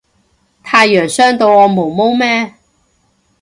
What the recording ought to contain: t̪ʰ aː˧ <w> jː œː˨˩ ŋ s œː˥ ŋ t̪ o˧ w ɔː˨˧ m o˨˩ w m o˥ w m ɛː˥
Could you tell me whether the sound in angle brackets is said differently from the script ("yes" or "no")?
yes